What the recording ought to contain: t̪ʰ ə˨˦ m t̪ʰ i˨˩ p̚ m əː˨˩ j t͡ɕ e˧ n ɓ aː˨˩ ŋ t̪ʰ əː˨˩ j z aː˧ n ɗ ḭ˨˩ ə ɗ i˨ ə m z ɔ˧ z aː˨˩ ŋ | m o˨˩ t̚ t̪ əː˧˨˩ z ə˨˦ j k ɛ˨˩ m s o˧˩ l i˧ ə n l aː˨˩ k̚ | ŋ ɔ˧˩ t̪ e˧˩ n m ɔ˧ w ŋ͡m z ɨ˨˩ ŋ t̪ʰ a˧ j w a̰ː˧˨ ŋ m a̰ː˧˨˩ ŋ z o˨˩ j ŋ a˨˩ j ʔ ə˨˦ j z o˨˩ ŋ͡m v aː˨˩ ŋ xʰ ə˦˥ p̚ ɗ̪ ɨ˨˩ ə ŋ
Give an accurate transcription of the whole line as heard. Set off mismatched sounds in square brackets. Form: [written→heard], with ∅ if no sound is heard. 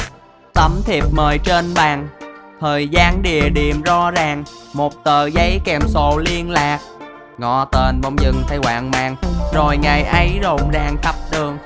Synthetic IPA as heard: [t̪ʰ→t̪] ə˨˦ m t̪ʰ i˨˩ p̚ m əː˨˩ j t͡ɕ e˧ n ɓ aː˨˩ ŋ t̪ʰ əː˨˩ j z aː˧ n ɗ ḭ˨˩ ə ɗ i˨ ə m z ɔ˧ z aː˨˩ ŋ | m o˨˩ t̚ t̪ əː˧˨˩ z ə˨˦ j k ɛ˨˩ m s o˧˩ l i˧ ə n l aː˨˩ k̚ | ŋ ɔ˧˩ t̪ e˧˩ n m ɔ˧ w ŋ͡m z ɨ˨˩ ŋ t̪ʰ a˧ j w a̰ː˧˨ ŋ m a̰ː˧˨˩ ŋ z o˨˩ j ŋ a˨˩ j ʔ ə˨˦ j z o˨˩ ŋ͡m [v→z] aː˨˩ ŋ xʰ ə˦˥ p̚ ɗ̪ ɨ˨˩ ə ŋ